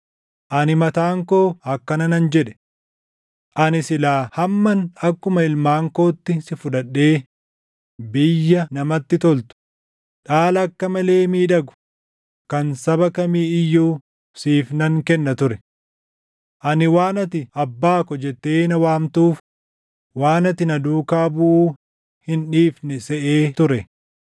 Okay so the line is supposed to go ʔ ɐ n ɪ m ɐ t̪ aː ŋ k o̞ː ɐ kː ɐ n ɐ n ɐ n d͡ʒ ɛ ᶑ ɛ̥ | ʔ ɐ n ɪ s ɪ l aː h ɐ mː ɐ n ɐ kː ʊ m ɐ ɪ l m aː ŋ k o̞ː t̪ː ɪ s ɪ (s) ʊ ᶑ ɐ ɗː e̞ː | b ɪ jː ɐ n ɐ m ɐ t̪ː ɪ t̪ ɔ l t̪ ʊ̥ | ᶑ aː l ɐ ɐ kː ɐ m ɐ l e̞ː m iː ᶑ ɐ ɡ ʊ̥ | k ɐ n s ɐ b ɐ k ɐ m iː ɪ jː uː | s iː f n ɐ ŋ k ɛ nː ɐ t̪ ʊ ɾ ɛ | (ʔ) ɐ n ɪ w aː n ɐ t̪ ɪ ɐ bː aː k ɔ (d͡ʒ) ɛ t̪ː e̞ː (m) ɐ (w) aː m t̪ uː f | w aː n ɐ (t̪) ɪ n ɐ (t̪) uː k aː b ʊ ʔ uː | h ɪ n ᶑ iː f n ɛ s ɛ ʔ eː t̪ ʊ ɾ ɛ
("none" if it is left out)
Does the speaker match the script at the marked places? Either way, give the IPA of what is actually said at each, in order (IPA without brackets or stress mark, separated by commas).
f, ʔ, d͡ʒ, n, w, t̪, d̪